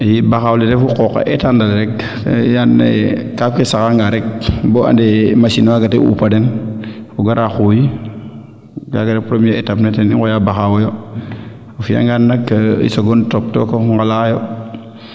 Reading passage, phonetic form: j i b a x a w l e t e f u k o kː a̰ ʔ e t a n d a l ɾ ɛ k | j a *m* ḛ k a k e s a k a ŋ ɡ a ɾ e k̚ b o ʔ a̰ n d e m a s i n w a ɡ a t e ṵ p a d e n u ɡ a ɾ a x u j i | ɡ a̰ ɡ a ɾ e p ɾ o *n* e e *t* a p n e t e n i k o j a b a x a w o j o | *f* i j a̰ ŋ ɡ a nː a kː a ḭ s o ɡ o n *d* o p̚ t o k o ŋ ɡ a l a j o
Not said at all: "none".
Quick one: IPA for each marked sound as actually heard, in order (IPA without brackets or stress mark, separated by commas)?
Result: n, m, t, f, t